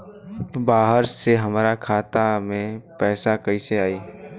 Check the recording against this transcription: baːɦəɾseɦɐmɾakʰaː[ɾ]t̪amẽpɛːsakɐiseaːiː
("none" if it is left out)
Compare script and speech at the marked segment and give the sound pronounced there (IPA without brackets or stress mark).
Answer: none